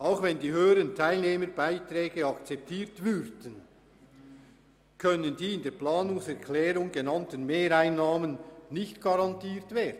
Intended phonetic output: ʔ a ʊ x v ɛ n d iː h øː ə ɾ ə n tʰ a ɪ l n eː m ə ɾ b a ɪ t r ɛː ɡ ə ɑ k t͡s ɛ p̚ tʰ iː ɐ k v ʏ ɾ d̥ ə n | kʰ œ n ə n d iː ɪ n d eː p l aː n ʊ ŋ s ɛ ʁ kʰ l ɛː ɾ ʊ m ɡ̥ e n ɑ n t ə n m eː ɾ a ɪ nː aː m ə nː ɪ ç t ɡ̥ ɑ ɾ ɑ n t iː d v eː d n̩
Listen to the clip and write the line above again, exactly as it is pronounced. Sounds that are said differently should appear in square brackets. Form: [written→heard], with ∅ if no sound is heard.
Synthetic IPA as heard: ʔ a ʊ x v ɛ n d iː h øː ə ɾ ə n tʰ a ɪ l n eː m ə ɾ b a ɪ t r ɛː ɡ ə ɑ k t͡s ɛ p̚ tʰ iː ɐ [k→t] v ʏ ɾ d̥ ə n | kʰ œ n ə n d iː ɪ n d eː p l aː n ʊ ŋ s ɛ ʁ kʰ l ɛː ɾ ʊ [m→ŋ] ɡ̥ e n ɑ n t ə n m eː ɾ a ɪ nː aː m ə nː ɪ ç t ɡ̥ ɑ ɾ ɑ n t iː [d→t] v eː d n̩

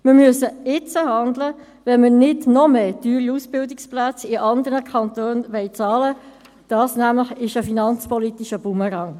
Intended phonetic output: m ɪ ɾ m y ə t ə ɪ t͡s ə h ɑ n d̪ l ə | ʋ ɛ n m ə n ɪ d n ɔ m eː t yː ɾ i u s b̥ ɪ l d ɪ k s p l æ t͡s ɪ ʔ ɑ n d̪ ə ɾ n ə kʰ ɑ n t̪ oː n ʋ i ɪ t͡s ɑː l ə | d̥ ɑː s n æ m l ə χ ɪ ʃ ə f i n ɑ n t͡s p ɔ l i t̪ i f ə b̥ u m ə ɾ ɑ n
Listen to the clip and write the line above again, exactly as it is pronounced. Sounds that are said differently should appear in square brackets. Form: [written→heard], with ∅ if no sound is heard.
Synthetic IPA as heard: m ɪ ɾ m y ə [t→s] ə ɪ t͡s ə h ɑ n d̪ l ə | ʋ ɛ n m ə n ɪ d n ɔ m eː t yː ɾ i u s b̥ ɪ l d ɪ k s p l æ t͡s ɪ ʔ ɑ n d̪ ə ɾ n ə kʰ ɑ n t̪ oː n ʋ [i→ɛ] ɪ t͡s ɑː l ə | d̥ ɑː s n æ m l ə χ ɪ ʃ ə f i n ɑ n t͡s p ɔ l i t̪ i [f→ʃ] ə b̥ u m ə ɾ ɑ [n→ŋ]

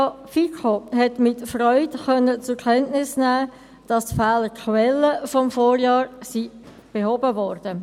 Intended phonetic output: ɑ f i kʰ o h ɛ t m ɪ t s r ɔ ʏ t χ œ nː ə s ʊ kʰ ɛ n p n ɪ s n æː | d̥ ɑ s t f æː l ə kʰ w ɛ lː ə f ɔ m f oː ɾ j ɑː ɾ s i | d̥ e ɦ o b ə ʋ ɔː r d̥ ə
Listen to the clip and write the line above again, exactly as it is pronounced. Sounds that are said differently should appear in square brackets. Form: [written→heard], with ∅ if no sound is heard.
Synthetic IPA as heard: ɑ f i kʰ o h ɛ t m ɪ t [s→f] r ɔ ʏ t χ œ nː ə [s→t͡s] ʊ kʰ ɛ n [p→t] n ɪ s n æː | d̥ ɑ s t f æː l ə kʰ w ɛ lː ə f ɔ m f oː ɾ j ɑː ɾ s i | [d̥→b̥] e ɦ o b ə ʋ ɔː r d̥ ə

